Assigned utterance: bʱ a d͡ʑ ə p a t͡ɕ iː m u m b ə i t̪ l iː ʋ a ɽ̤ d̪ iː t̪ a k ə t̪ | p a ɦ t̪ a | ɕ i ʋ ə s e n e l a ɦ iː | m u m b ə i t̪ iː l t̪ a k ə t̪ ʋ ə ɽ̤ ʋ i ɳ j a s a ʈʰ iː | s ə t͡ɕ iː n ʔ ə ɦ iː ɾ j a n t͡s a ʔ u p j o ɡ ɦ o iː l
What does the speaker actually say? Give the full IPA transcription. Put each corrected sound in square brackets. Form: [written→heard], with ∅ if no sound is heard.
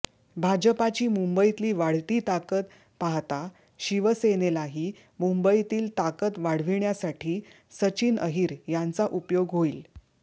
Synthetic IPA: bʱ a d͡ʑ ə p a t͡ɕ iː m u m b ə i t̪ l iː ʋ a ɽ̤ [d̪→t̪] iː t̪ a k ə t̪ | p a ɦ t̪ a | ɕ i ʋ ə s e n e l a ɦ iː | m u m b ə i t̪ iː l t̪ a k ə t̪ ʋ [ə→a] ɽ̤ ʋ i ɳ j a s a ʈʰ iː | s ə t͡ɕ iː n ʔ ə ɦ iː ɾ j a n t͡s a ʔ u p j o ɡ ɦ o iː l